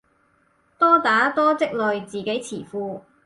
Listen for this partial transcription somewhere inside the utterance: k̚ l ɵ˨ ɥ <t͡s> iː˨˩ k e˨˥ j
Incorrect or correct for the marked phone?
correct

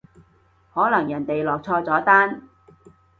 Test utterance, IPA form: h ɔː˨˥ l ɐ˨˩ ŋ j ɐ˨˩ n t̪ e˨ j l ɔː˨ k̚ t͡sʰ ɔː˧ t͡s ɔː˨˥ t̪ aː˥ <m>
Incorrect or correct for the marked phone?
incorrect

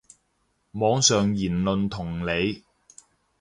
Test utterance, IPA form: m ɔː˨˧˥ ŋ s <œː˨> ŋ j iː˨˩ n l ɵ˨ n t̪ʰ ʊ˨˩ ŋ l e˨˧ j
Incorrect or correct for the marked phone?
correct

